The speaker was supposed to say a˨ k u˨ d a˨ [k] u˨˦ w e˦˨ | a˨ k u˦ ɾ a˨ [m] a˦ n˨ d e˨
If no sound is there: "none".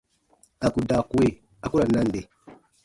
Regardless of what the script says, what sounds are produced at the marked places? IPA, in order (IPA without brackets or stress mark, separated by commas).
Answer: k, n